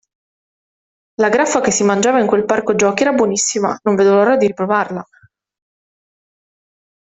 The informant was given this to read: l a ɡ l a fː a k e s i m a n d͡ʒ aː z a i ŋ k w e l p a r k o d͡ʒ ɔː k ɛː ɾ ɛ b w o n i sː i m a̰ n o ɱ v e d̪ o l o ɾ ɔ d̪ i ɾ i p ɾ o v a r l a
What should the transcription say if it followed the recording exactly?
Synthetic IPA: l a ɡ ɾ a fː a k e sː i m a n d͡ʒ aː v a i ŋ k w e l p a r k o d͡ʒ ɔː k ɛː ɾ a b w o n i sː i m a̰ n o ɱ v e d̪ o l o ɾ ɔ d̪ i ɾ i p ɾ o v a r l a